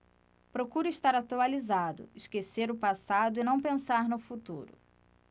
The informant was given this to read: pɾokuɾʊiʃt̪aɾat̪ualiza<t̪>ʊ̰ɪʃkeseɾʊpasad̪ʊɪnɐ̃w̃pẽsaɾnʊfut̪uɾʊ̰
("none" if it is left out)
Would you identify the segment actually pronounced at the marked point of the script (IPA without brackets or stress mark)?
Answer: d̪